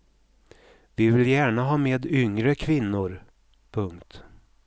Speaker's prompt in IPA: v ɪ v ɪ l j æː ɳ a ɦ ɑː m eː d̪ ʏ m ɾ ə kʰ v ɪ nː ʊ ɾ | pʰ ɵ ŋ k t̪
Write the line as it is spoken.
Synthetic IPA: v ɪ v ɪ l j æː ɳ a ɦ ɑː m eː d̪ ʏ ŋ ɾ ə kʰ v ɪ nː ʊ ɾ | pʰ ɵ ŋ k t̪